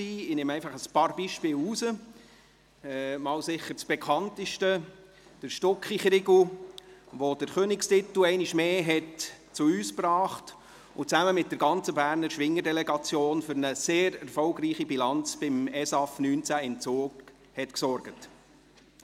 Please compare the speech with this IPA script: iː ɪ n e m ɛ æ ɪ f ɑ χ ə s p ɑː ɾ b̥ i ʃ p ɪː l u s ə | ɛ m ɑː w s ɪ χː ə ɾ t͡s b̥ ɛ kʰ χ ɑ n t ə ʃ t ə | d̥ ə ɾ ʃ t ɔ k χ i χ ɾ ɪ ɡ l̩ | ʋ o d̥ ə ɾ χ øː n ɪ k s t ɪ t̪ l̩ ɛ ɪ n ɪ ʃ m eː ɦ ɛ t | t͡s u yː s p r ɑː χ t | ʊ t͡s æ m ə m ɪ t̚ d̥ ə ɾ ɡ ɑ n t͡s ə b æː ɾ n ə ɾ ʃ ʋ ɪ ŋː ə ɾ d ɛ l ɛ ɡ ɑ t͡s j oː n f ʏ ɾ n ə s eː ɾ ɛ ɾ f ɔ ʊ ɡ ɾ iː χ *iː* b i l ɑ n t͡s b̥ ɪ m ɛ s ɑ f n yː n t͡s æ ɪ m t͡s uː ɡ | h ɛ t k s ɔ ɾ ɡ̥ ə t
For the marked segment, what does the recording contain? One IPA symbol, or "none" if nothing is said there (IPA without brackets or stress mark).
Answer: i